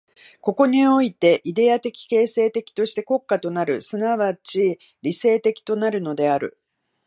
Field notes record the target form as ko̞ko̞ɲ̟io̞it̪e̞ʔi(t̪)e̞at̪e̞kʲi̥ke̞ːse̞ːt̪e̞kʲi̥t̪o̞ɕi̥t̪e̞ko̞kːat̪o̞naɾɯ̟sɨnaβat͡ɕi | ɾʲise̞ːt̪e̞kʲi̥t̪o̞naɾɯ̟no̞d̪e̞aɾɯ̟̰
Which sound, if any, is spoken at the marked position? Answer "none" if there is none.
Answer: d̪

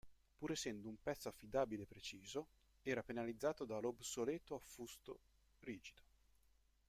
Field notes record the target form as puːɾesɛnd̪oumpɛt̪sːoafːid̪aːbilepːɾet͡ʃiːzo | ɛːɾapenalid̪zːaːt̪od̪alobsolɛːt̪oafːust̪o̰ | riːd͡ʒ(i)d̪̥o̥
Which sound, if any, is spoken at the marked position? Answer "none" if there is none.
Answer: i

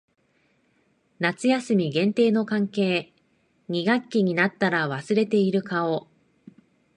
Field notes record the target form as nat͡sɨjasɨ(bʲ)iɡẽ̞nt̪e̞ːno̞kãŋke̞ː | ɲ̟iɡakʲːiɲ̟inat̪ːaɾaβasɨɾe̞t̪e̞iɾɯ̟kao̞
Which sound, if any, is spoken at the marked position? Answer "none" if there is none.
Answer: mʲ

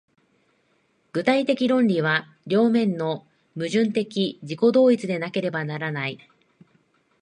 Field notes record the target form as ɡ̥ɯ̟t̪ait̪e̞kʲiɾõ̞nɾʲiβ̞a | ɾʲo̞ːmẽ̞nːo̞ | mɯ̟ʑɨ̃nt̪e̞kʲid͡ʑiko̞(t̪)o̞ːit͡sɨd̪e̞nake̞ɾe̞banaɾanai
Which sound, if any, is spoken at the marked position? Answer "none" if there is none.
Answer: d̪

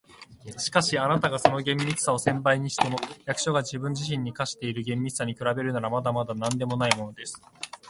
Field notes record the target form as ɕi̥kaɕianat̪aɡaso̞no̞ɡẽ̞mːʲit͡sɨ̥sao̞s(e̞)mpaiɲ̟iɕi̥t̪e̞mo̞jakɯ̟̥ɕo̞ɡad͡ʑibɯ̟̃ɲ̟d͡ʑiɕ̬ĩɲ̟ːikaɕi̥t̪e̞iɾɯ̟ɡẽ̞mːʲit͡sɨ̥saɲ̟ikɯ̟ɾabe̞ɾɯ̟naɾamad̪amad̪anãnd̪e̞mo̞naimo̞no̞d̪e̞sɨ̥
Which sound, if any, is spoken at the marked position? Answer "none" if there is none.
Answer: ẽ̞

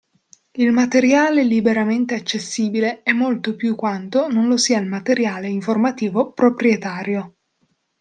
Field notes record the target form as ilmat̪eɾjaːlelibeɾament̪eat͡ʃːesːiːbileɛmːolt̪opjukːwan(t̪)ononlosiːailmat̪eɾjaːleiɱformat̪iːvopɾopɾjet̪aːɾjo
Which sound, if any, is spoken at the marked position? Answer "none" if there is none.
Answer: t̪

